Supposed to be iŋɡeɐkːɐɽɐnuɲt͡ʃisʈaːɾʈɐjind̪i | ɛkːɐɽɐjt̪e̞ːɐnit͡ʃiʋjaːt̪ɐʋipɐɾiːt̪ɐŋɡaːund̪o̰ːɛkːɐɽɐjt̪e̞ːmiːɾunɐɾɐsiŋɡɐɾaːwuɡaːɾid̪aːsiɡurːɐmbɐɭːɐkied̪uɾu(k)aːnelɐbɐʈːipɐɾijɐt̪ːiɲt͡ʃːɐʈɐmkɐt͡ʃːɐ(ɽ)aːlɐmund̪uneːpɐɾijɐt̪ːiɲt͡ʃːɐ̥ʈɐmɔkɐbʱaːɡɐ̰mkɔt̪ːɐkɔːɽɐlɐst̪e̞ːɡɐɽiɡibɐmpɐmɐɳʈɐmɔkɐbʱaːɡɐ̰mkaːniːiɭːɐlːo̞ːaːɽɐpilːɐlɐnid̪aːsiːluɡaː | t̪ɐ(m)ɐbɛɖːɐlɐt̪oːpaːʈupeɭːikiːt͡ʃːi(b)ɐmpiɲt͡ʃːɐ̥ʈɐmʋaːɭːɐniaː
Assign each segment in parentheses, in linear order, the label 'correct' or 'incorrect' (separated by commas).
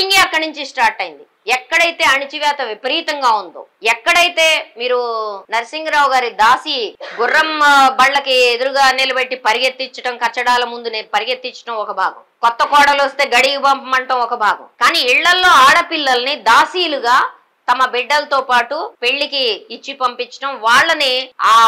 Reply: incorrect, correct, correct, incorrect